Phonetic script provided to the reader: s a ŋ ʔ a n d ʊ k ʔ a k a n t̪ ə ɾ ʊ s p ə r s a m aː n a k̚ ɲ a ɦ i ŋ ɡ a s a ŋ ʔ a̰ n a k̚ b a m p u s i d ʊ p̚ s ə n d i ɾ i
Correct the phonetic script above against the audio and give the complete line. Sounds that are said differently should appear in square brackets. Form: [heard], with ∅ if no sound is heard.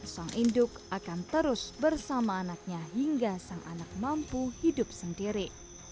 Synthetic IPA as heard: s a ŋ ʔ [i] n d ʊ k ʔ a k a n t̪ ə ɾ ʊ s [b] ə r s a m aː n a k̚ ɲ a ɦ i ŋ ɡ a s a ŋ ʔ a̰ n a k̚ [m] a m p u [h] i d ʊ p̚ s ə n d i ɾ i

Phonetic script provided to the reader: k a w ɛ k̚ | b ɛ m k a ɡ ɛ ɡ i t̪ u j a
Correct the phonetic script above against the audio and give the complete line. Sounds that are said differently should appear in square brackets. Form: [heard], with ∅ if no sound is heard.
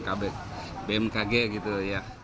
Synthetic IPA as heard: k a [b] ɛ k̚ | b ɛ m k a ɡ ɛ ɡ i t̪ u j a

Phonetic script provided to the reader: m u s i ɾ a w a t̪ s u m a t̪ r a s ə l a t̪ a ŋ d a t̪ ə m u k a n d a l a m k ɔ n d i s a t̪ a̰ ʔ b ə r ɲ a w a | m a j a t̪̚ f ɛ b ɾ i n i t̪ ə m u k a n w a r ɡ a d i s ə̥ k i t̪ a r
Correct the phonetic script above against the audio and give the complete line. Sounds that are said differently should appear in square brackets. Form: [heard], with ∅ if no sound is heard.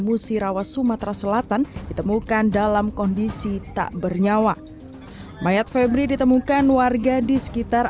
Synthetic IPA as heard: m u s i ɾ a w a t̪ s u m a t̪ [ɾ] a s ə l a t̪ a [n] d [i] t̪ ə m u k a n d a l a m k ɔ n d i s [i] t̪ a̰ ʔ b ə r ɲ a w a | m a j a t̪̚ f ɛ b ɾ i [d] i t̪ ə m u k a n w a r ɡ a d i s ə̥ k i t̪ a r

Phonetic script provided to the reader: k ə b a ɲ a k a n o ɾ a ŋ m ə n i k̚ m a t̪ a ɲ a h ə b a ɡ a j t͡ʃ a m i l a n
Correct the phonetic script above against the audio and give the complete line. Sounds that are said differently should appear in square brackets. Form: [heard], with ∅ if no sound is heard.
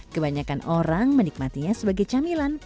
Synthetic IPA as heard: k ə b a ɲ a k a n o ɾ a ŋ m ə n i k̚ m a t̪ [i] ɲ a [s] ə b a ɡ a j t͡ʃ a m i l a n

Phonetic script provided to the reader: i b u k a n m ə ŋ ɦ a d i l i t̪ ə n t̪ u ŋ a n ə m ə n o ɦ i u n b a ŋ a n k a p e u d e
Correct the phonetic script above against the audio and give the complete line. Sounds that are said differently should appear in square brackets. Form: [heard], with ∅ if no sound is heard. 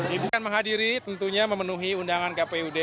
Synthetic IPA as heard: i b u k a n m ə ŋ ɦ a d i [ɾ] i t̪ ə n t̪ u [ɲ] a [m] ə m ə n [u] ɦ i u n [d] a ŋ a n k a p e u d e

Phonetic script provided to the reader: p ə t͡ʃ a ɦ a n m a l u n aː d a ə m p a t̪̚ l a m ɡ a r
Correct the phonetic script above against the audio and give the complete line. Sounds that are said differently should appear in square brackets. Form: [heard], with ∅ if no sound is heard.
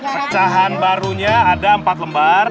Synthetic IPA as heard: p ə t͡ʃ a ɦ a n [b] a [ɾ] u [ɲ] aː d a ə m p a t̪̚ l [ə] m [b] a r

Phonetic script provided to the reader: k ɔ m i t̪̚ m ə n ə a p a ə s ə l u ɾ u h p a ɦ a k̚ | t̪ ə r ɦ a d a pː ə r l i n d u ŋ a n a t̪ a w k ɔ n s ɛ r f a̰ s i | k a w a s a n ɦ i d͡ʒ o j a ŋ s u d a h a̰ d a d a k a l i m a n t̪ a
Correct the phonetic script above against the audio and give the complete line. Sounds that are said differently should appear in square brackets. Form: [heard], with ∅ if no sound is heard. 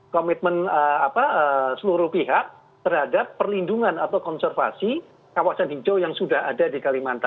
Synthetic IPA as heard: k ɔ m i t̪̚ m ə n ə a p a ə s ə l u ɾ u h p [i] ɦ a k̚ | t̪ ə r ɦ a d a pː ə r l i n d u ŋ a n a t̪ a w k ɔ n s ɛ r f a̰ s i | k a w a s a n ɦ i d͡ʒ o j a ŋ s u d a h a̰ d a d [i] k a l i m a n t̪ a

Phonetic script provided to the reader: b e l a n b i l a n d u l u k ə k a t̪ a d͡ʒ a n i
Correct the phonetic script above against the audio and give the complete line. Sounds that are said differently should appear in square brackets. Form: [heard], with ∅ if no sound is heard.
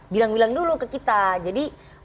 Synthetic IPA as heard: b [i] l a [ŋ] b i l a [ŋ] d u l u k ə k [i] t̪ a d͡ʒ a [d] i

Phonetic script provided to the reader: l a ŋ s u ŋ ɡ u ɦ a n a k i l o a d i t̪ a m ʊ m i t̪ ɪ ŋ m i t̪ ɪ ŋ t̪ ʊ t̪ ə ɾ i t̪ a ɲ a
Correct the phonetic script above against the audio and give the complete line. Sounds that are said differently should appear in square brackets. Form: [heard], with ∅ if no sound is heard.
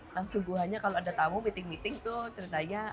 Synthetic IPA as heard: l a ŋ s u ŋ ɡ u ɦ a [ɲ] a k [a] l o a d [a] t̪ a m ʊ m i t̪ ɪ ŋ m i t̪ ɪ ŋ t̪ ʊ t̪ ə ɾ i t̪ a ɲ a

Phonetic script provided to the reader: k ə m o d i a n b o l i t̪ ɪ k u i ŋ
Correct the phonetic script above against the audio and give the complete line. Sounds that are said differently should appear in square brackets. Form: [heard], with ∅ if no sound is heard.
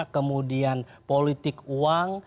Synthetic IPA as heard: k ə m [u] d i a n [p] o l i t̪ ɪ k u [a] ŋ

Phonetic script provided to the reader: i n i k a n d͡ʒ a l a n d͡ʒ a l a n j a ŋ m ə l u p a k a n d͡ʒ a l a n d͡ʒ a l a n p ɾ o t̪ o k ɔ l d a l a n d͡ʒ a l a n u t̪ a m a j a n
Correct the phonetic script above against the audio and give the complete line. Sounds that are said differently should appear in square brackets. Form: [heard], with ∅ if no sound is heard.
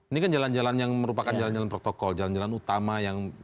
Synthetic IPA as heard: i n i k a n d͡ʒ a l a n d͡ʒ a l a n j a ŋ m ə [ɾ] u p a k a n d͡ʒ a l a n d͡ʒ a l a n p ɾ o t̪ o k ɔ l [d͡ʒ] a l a n d͡ʒ a l a n u t̪ a m a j a [ŋ]

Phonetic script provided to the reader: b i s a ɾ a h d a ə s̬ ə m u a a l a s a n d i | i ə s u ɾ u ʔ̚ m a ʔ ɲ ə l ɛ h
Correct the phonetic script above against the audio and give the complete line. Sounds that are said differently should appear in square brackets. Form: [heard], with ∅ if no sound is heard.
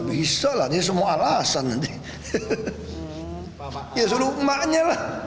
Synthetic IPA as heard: b i s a [l] a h d [i] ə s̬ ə m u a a l a s a n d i | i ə s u [l] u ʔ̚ m a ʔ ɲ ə l [a] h

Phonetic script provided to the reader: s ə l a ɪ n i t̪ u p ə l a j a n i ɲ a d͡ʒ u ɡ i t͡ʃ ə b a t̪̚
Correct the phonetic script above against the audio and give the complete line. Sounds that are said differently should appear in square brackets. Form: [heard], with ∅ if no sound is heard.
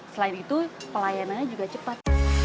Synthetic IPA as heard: s ə l a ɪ n i t̪ u p ə l a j a n [a] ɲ a d͡ʒ u ɡ [a] t͡ʃ ə [p] a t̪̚

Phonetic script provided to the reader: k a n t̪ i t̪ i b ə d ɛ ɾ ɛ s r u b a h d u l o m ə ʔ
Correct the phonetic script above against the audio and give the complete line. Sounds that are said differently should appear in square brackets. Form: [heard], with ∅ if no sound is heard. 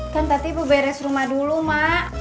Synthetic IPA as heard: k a n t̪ [a] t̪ i b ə [b] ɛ ɾ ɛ s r u [m] a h d u l [u] m [a] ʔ

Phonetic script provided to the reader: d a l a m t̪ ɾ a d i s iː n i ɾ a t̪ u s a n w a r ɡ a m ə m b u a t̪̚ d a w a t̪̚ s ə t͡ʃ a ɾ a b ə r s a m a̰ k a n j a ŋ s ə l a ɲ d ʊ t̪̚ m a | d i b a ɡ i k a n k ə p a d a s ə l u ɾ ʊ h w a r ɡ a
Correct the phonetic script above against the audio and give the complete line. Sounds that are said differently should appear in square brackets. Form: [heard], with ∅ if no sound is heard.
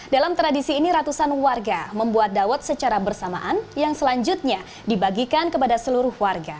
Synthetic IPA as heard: d a l a m t̪ ɾ a d i s iː n i ɾ a t̪ u s a n w a r ɡ a m ə m b u a t̪̚ d a w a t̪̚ s ə t͡ʃ a ɾ a b ə r s a m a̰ [ʔ] a n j a ŋ s ə l a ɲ [d͡ʒ] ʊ t̪̚ [ɲ] a | d i b a ɡ i k a n k ə p a d a s ə l u ɾ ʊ h w a r ɡ a

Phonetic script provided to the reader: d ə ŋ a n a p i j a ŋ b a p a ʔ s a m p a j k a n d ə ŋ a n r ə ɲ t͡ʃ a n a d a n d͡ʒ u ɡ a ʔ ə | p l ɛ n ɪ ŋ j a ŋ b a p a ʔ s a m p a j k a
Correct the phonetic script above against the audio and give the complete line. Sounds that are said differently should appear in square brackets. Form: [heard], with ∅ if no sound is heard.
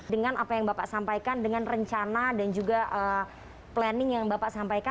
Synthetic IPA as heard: d ə ŋ a n a p [a] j a ŋ b a p a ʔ s a m p a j k a n d ə ŋ a n r ə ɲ t͡ʃ a n a d a n d͡ʒ u ɡ a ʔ ə | p l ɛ n ɪ ŋ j a ŋ b a p a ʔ s a m p a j k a

